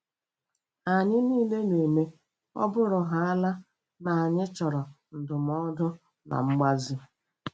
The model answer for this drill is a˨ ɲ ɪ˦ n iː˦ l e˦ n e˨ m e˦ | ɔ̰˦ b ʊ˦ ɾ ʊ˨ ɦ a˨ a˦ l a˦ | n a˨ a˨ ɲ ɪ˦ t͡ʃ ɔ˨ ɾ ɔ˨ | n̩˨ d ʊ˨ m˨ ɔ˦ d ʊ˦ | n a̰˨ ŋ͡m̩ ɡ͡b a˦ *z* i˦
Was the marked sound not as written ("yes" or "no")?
no